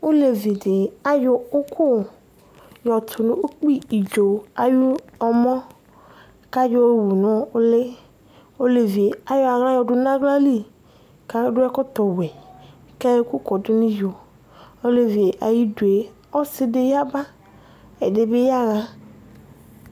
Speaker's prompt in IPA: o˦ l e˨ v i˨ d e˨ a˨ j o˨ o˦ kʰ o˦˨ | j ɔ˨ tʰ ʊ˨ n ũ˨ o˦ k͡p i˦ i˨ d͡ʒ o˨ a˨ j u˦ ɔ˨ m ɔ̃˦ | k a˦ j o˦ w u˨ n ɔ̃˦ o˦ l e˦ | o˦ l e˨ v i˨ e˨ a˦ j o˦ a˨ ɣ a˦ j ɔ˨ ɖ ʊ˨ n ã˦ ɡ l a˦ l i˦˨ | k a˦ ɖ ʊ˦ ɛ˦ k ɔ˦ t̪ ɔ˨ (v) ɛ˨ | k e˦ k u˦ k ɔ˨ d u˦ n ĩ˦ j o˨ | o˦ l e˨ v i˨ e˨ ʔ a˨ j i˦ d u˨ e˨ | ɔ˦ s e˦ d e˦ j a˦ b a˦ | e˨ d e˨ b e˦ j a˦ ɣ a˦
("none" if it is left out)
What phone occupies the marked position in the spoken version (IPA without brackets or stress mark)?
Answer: w